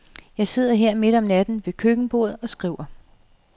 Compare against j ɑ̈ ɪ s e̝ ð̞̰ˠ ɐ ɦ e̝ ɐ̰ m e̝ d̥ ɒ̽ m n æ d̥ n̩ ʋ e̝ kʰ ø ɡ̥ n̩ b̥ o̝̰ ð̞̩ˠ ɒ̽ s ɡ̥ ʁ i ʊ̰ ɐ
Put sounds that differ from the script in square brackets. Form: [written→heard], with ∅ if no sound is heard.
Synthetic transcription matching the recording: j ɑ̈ ɪ s e̝ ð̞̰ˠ ɐ ɦ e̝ ɐ̰ m e̝ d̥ ɒ̽ m n æ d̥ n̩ ʋ e̝ kʰ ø ɡ̥ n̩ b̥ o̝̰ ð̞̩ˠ ɒ̽ s ɡ̥ ʁ i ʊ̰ ɐ